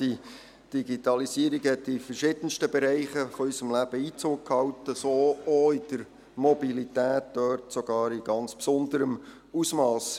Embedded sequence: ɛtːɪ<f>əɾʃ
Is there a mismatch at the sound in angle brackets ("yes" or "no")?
no